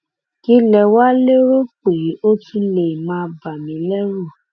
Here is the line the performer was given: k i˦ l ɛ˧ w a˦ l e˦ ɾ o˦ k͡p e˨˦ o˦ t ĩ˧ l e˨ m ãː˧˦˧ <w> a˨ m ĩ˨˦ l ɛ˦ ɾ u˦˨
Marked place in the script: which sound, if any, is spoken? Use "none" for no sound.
b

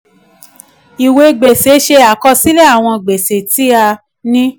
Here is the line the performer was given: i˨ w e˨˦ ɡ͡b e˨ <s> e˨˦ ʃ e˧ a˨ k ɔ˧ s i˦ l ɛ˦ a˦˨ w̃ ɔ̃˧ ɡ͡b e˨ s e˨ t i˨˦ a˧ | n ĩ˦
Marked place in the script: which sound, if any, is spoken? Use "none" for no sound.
s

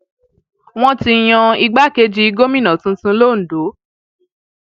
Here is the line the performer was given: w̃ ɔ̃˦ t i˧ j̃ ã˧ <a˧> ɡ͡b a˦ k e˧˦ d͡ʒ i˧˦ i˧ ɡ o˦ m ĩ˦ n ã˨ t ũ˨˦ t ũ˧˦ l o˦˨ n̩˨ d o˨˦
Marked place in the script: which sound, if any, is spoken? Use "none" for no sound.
i˧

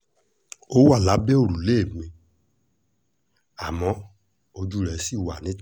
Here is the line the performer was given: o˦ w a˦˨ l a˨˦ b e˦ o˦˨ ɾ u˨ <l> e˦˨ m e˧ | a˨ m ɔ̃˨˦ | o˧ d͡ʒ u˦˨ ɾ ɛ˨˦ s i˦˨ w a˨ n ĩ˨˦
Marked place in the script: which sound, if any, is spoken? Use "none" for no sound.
l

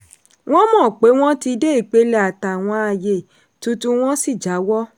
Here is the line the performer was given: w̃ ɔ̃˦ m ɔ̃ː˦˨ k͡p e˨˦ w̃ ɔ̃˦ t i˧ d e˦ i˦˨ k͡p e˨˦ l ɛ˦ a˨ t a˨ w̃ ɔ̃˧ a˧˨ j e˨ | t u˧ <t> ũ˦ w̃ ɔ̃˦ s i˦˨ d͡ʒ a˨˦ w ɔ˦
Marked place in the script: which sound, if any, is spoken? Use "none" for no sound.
t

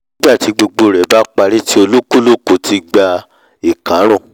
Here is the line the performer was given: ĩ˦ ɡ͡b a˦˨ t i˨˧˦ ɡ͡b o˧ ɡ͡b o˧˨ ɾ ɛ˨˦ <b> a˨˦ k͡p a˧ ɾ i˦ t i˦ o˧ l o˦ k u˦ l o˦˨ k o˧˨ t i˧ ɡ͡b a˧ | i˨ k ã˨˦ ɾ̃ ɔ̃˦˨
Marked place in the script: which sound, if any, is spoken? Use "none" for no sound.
b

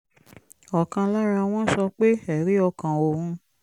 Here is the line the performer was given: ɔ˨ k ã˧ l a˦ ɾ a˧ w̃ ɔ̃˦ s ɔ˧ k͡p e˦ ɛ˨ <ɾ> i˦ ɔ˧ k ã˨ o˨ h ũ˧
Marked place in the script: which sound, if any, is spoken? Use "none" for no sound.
ɾ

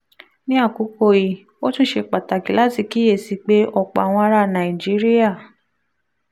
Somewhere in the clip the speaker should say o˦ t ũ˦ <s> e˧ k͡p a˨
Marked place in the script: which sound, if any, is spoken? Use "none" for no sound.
ʃ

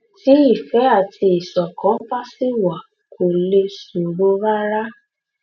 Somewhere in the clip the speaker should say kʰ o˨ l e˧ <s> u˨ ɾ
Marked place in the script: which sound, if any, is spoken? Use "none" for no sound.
s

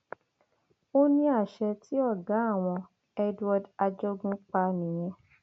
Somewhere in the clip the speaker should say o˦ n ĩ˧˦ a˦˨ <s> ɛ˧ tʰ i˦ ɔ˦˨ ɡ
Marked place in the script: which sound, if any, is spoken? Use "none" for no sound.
ʃ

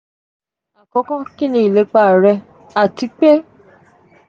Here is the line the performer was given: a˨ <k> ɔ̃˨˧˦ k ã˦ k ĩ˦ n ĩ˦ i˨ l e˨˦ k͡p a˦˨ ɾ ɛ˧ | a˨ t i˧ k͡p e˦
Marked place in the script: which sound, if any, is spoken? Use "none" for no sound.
k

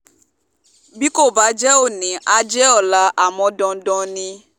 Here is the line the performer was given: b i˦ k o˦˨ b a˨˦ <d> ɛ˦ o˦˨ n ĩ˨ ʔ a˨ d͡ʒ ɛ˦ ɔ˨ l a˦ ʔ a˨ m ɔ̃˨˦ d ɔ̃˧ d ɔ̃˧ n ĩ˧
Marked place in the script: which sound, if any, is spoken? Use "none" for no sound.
d͡ʒ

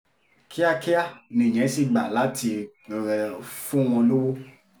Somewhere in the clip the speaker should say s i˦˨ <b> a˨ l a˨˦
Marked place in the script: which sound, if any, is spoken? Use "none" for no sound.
ɡ͡b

